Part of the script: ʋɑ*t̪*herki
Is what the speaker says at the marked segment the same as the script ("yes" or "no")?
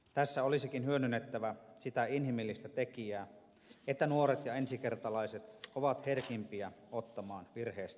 yes